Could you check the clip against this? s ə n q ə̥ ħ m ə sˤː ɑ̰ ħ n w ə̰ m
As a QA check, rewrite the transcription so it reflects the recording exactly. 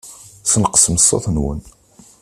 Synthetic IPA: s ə n q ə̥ s m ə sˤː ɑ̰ θ n w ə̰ n

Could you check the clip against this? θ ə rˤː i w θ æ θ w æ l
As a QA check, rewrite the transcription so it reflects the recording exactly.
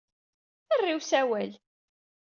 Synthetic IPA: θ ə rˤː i w s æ w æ l

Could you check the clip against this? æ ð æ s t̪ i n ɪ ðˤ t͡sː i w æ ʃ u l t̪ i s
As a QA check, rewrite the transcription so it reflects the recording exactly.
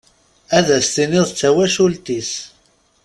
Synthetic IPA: æ ð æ s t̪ i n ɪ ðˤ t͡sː æ w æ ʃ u l t̪ i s

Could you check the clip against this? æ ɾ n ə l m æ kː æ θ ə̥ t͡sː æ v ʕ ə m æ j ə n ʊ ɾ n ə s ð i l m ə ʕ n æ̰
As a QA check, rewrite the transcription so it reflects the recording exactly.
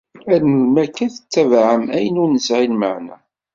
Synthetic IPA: æ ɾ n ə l m æ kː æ θ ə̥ t͡sː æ v ʕ ə m æ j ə n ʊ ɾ n ə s ʕ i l m ə ʕ n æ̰

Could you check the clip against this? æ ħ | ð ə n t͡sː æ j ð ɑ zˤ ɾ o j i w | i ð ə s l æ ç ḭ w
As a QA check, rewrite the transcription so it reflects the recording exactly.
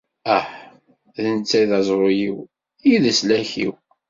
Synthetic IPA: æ ħ | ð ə n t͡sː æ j ð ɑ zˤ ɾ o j i w | i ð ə s l æ ç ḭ w

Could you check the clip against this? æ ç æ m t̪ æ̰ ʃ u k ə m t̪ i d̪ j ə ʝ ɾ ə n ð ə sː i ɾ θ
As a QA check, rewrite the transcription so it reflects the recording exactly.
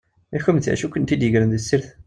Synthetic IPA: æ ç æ m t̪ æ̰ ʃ u k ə n t̪ i d̪ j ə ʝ ɾ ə n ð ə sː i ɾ θ

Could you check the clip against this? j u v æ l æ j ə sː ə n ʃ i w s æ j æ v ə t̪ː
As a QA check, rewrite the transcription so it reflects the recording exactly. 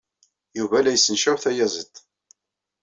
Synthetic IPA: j u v æ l æ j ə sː ə n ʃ æ w θ æ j æ z ə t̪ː

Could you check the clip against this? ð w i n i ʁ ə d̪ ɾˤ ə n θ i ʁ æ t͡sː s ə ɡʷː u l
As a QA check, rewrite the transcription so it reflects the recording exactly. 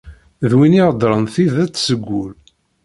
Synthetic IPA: ð w i n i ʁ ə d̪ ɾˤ ə n θ i ð æ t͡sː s ə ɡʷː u l

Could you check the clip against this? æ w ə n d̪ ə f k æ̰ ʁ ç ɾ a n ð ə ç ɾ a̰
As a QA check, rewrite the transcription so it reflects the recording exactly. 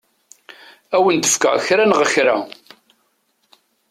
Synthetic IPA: æ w ə n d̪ ə f k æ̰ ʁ ç ɾ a n ʁ ə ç ɾ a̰

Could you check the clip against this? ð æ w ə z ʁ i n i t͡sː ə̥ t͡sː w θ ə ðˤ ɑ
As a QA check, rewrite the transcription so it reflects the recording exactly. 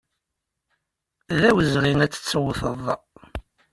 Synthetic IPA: ð æ w ə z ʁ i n æ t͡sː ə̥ t͡sː w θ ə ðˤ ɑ

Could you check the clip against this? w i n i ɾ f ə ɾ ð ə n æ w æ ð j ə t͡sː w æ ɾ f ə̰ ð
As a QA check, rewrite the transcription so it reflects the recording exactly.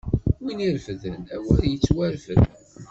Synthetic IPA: w i n i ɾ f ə ð ə n æ w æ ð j ə t͡sː w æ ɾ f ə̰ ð

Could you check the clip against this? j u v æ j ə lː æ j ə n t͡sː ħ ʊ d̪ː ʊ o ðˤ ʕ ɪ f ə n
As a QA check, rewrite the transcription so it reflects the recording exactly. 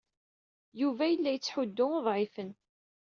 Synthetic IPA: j u v æ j ə lː æ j ə t͡sː ħ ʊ d̪ː ʊ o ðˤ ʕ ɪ f ə n

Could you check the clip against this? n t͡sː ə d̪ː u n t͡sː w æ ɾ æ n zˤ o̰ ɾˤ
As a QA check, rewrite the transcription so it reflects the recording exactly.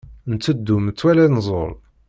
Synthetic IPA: n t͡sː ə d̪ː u m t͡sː w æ l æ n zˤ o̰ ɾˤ

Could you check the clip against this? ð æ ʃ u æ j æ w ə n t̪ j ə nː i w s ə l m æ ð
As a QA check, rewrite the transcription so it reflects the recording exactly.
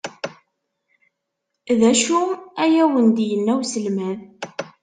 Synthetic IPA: ð æ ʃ u æ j æ w ə n d̪ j ə nː æ w s ə l m æ ð

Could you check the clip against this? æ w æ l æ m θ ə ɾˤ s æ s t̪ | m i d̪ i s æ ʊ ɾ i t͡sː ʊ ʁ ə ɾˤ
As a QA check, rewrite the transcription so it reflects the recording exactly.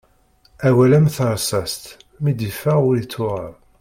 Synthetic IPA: æ w æ l æ m θ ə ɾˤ s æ s t̪ | m i d̪ i f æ ʊ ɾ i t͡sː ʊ ʁ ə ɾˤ

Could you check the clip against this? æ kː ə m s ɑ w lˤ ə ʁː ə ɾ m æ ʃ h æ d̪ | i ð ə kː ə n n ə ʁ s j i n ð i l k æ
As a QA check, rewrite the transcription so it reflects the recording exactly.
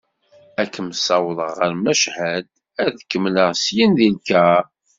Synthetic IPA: æ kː ə m s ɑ w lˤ ə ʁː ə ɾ m æ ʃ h æ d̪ | æ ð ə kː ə m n ə ʁ s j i n ð i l k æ

